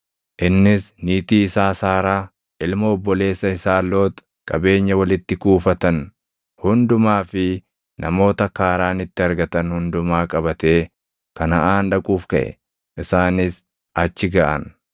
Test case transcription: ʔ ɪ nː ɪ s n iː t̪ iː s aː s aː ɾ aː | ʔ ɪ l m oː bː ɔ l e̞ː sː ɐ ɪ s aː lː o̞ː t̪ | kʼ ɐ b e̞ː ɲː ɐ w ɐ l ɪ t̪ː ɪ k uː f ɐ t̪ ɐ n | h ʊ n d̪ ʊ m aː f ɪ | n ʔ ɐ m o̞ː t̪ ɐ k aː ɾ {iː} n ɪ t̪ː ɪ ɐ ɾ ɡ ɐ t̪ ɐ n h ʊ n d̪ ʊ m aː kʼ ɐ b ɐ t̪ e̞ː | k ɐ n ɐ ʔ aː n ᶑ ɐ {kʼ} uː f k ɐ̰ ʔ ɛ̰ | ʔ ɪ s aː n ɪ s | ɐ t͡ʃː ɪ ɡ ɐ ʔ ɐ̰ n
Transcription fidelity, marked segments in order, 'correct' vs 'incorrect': incorrect: aː, correct

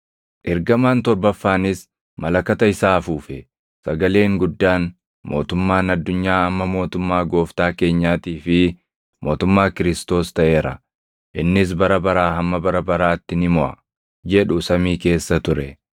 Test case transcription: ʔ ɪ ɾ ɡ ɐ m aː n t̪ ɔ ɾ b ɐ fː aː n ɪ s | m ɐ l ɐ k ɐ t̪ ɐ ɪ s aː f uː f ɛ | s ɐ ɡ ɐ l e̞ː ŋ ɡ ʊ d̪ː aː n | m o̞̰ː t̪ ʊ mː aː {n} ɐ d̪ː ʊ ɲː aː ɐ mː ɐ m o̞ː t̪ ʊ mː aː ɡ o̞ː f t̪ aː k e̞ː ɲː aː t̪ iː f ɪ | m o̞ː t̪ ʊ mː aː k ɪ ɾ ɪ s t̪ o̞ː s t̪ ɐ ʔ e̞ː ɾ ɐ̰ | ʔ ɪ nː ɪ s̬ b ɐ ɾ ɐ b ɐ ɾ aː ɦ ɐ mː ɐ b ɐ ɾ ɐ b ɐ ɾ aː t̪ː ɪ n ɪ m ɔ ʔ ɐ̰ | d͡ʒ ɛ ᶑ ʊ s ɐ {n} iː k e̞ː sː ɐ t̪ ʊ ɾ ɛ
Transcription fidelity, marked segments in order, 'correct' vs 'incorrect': correct, incorrect: m

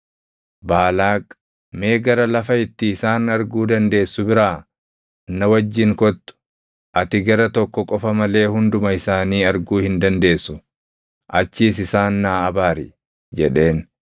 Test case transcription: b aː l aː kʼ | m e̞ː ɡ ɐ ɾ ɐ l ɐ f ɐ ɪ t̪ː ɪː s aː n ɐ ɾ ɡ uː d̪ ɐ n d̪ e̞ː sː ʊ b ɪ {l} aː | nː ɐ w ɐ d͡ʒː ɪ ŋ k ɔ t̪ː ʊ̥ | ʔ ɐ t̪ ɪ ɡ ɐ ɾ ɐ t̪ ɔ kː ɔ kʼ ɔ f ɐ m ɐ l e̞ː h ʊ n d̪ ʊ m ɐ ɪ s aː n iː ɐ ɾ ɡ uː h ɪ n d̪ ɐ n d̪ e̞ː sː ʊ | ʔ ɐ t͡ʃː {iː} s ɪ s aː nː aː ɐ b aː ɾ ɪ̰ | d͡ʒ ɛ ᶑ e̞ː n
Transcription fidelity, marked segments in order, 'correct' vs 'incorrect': incorrect: ɾ, correct

